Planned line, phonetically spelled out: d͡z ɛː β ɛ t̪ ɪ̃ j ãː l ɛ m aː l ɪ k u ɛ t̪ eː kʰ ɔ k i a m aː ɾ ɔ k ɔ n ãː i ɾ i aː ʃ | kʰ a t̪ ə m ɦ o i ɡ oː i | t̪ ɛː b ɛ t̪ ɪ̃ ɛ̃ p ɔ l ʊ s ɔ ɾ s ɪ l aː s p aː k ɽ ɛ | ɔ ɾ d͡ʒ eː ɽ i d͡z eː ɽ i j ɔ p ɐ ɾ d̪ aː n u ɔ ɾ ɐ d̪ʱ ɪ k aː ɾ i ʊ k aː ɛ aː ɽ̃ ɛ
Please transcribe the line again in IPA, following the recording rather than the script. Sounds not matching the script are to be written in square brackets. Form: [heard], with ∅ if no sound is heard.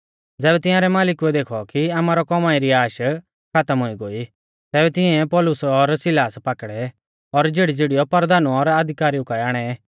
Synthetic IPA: d͡z ɛː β ɛ t̪ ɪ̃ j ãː [ɾ] ɛ m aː l ɪ k u ɛ [d̪] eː kʰ ɔ k i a m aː ɾ ɔ k ɔ [m] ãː i ɾ i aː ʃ | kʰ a t̪ ə m ɦ o i ɡ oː i | t̪ ɛː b ɛ t̪ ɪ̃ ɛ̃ p ɔ l ʊ s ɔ ɾ s ɪ l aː s p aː k ɽ ɛ | ɔ ɾ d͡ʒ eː ɽ i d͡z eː ɽ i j ɔ p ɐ ɾ d̪ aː n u ɔ ɾ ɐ d̪ʱ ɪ k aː ɾ i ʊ k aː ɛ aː ɽ̃ ɛ

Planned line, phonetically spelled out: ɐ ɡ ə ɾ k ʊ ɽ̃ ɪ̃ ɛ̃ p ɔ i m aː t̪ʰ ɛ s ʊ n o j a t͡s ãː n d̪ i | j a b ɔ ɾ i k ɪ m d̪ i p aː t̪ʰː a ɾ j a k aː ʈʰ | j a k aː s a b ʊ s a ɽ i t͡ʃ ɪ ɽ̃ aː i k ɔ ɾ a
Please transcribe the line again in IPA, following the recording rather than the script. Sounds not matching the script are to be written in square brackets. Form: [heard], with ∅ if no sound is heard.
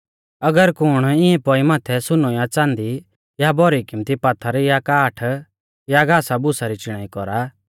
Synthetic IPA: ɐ ɡ ə ɾ k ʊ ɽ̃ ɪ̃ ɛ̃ p ɔ i m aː t̪ʰ ɛ s ʊ n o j a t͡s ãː n d̪ i | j a b ɔ ɾ i k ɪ m [t̪] i p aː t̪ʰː a ɾ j a k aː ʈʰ | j a [ɡ] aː s a b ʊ s a [ɾ] i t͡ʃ ɪ ɽ̃ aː i k ɔ ɾ a

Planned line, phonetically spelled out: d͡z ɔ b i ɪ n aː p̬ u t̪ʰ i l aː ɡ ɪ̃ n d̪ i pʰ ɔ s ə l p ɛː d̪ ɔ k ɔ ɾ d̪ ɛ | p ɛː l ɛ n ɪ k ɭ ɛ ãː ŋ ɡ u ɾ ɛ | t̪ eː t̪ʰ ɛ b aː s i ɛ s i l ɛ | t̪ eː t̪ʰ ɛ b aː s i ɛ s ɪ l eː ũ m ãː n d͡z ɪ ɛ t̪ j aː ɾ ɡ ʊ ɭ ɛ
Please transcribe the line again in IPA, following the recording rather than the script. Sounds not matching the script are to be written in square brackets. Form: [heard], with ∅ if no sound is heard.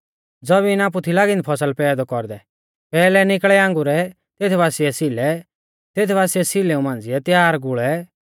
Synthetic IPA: d͡z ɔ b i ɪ n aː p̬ u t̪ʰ i l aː ɡ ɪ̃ n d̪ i pʰ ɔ s ə l p ɛː d̪ ɔ k ɔ ɾ d̪ ɛ | p ɛː l ɛ n ɪ k ɭ ɛ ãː ŋ ɡ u ɾ ɛ | t̪ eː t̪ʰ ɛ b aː s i ɛ s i l ɛ | t̪ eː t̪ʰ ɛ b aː s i ɛ s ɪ l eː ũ m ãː n d͡z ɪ ɛ t̪ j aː ɾ ɡ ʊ ɭ ɛ

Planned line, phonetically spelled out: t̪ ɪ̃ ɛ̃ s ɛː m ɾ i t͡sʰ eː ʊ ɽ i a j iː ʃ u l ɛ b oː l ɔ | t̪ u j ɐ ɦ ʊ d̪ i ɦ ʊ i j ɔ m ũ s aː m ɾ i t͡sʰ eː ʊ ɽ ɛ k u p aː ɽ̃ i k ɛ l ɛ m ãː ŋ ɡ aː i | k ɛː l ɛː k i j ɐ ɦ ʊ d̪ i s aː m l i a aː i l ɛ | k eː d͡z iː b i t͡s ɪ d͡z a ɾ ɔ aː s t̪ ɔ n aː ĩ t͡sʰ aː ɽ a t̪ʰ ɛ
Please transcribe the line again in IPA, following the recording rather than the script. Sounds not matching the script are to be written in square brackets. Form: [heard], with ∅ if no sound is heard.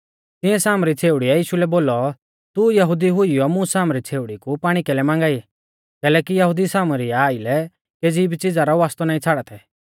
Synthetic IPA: t̪ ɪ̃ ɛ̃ s [aː] m ɾ i t͡sʰ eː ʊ ɽ i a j iː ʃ u l ɛ b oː l ɔ | t̪ u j ɐ ɦ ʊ d̪ i ɦ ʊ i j ɔ m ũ s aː m ɾ i t͡sʰ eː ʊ ɽ [i] k u p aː ɽ̃ i k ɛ l ɛ m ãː ŋ ɡ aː i | k ɛː l ɛː k i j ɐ ɦ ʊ d̪ i s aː m [ɾ] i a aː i l ɛ | k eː d͡z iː b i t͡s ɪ d͡z a ɾ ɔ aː s t̪ ɔ n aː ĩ t͡sʰ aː ɽ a t̪ʰ ɛ

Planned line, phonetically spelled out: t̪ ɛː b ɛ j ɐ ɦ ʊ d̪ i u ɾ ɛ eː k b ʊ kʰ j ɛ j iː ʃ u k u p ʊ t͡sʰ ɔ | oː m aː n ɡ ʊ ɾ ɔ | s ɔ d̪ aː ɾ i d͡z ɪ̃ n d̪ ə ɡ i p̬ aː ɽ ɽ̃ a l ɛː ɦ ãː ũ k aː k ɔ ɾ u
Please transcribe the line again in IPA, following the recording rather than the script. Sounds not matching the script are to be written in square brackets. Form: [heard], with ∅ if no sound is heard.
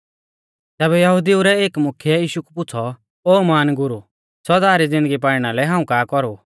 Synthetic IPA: t̪ ɛː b ɛ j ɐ ɦ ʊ d̪ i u ɾ ɛ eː k [m] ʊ kʰ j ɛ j iː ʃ u k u p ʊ t͡sʰ ɔ | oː m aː n ɡ ʊ ɾ [u] | s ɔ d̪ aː ɾ i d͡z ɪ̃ n d̪ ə ɡ i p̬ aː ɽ ɽ̃ a l [ɛ] ɦ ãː ũ k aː k ɔ ɾ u

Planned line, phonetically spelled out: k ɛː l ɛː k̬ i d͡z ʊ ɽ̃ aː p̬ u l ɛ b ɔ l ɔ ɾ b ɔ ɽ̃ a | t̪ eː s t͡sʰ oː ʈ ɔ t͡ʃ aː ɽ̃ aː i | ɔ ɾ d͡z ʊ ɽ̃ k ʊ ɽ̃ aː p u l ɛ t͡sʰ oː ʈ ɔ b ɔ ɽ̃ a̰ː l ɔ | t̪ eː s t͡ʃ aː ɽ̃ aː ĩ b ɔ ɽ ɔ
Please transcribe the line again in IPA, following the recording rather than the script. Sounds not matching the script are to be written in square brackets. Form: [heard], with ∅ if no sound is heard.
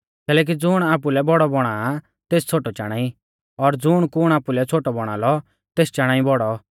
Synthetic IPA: k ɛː l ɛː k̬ i d͡z ʊ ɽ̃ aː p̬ u l ɛ b ɔ [ɽ] ɔ [∅] b ɔ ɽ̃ a | t̪ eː s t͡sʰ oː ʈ ɔ t͡ʃ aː ɽ̃ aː i | ɔ ɾ d͡z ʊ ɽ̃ k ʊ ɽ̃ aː p u l ɛ t͡sʰ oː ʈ ɔ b ɔ ɽ̃ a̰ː l ɔ | t̪ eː s t͡ʃ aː ɽ̃ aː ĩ b ɔ ɽ ɔ

